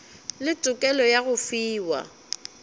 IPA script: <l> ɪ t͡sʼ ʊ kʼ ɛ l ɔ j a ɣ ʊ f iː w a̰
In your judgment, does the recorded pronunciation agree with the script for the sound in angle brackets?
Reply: yes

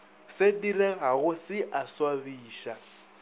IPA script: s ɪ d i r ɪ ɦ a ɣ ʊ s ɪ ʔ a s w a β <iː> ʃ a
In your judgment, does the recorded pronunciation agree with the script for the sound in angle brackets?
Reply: yes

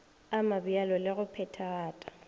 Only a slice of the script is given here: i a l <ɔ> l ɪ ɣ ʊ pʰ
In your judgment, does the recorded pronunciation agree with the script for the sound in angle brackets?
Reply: yes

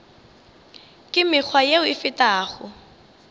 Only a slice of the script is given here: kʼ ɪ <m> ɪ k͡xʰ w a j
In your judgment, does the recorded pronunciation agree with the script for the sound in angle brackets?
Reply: yes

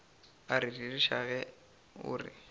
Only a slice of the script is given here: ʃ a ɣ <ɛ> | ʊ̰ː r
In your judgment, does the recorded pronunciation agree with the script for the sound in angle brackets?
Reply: yes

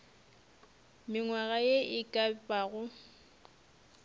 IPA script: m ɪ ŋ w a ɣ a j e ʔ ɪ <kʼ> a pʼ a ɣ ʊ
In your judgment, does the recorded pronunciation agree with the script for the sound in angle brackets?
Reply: yes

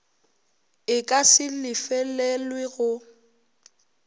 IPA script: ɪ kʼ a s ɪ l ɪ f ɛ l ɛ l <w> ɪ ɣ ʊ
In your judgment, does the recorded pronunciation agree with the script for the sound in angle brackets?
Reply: yes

